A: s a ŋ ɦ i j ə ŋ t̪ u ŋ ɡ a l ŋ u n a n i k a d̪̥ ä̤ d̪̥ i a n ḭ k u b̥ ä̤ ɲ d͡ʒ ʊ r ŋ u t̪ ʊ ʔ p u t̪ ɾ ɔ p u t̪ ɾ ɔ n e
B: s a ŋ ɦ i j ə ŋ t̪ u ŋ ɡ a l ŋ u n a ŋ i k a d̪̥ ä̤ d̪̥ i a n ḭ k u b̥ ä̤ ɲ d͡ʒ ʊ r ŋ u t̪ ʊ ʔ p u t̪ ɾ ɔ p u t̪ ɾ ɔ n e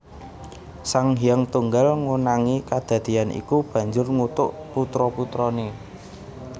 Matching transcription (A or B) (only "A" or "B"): B